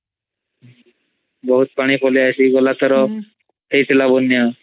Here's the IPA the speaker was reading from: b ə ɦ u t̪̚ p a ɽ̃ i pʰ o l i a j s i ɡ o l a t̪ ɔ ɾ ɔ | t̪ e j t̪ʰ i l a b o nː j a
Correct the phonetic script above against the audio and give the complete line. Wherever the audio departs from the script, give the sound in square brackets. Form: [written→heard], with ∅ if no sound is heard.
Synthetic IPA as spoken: b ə ɦ u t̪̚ p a ɽ̃ i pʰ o l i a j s i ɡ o l a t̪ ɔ ɾ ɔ | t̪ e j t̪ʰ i l a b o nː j a